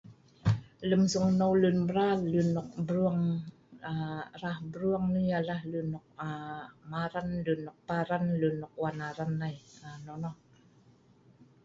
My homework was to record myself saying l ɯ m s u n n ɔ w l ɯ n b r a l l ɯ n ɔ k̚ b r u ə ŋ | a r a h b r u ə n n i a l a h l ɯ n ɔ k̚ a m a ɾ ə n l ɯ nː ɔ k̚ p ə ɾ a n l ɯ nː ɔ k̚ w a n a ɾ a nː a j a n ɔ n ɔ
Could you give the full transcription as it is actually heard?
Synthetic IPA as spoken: l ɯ m s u ŋ n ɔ w l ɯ n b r a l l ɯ n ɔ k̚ b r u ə ŋ | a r a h b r u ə ŋ n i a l a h l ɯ n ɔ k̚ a m a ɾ a n l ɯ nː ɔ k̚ p a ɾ a n l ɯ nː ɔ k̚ w a n a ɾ a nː a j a n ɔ n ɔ